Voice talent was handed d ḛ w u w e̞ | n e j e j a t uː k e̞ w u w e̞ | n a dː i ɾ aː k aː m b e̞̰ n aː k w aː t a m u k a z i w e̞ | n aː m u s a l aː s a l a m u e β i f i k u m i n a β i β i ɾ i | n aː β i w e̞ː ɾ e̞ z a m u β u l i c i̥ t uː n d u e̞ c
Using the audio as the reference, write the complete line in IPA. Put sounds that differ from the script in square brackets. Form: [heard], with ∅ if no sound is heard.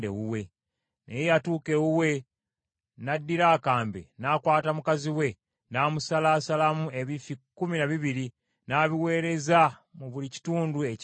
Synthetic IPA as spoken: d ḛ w u w e̞ | n e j e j a t uː k e̞ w u w e̞ | n a dː i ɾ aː k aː m b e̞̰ n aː k w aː t a m u k a z i w e̞ | n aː m u s a l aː s a l a m u e β i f i k u m i n a β i β i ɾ i | n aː β i w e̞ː ɾ e̞ z a m u β u l i c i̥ t uː n d u e̞ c